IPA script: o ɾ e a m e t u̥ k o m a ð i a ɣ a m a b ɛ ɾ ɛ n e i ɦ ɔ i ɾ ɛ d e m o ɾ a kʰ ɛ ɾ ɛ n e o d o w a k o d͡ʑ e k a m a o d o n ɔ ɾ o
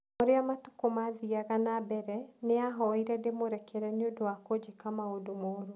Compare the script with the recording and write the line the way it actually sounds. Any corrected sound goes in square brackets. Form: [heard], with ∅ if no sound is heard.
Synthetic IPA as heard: o ɾ e a m [a] t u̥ k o m a ð i a ɣ a [n] a b ɛ ɾ ɛ n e [a] ɦ ɔ i ɾ ɛ d e m o ɾ [ɛ] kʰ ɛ ɾ ɛ n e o d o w a k o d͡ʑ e k a m a o d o [m] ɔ ɾ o